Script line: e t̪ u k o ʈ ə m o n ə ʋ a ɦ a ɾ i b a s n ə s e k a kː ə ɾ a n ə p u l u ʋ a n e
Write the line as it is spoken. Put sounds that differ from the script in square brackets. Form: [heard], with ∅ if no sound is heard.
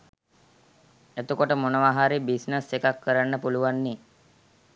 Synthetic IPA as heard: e t̪ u k o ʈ ə m o n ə ʋ a ɦ a ɾ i b [i] s n ə s e k a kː ə ɾ a [nː] ə p u l u ʋ a [nː] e